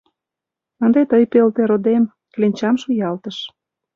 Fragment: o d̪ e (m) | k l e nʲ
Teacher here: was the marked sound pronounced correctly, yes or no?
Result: yes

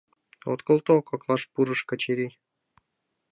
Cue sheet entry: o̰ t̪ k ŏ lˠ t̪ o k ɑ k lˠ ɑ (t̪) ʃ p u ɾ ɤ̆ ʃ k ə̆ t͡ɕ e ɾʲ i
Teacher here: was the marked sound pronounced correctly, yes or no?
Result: no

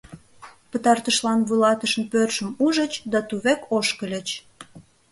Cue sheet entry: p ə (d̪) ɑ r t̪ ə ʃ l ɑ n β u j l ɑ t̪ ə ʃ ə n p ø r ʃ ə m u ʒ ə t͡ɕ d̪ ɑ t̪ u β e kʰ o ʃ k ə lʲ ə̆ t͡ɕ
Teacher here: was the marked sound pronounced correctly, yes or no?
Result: no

